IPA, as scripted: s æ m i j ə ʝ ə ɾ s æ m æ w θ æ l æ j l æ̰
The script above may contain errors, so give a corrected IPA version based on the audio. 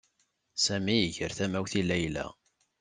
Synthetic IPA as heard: s æ m i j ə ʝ ə ɾ θ æ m æ w θ i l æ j l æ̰

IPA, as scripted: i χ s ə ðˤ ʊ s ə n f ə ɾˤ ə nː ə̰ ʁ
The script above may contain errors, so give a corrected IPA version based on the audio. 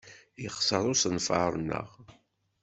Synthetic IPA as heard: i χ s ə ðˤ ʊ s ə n f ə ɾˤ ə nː ə̰ ʁ

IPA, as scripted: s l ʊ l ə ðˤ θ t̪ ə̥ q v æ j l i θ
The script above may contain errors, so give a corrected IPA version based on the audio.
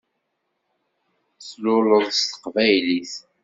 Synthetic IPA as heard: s l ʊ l ə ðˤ s t̪ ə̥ q v æ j l i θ

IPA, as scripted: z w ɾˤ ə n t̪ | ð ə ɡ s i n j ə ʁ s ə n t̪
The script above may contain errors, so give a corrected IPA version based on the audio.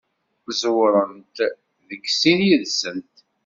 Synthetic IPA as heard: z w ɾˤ ə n t̪ | ð ə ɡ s i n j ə ð s ə n t̪

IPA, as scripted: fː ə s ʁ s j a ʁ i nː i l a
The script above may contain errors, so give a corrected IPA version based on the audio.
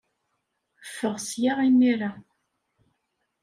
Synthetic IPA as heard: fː ə ʁ s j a ʁ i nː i ɾ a

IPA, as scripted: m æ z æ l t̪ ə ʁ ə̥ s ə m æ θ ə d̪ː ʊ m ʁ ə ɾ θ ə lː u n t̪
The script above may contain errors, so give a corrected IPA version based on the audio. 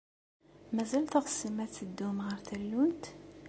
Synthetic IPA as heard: m æ z æ l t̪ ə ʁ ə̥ s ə m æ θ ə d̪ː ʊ m ʁ ə ɾ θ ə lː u n t̪

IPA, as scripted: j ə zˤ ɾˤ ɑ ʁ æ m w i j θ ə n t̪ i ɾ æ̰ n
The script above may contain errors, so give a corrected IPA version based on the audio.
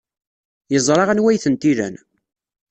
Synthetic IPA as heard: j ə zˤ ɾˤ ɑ ʁ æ n w æ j θ ə n t̪ i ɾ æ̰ n

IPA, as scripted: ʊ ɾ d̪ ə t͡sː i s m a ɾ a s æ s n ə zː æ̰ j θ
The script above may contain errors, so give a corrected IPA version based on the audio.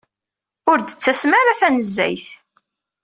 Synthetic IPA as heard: ʊ ɾ d̪ ə t͡sː æ s m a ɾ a θ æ n ə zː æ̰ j θ

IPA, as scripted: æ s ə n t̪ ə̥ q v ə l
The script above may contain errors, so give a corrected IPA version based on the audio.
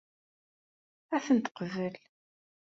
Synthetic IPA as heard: æ θ ə n t̪ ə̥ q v ə l

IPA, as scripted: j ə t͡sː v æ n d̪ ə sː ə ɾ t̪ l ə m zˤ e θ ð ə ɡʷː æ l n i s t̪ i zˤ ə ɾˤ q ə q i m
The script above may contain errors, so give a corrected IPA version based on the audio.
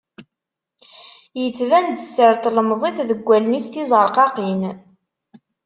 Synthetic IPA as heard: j ə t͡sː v æ n d̪ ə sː ə ɾ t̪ l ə m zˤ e θ ð ə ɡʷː æ l n i s t̪ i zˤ ə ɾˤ q ɑ q i n

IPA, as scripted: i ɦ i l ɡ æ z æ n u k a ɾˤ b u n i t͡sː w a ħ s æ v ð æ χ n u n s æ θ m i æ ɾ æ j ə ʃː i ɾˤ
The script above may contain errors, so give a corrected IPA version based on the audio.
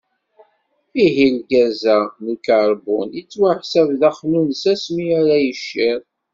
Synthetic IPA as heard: i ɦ i l ɡ æ z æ n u k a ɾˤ b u n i t͡sː w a ħ s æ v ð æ χ n u n s æ s m i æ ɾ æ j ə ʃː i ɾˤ

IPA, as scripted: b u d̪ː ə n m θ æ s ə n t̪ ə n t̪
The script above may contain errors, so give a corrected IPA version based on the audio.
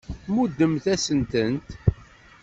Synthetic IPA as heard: m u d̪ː ə m θ æ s ə n t̪ ə n t̪

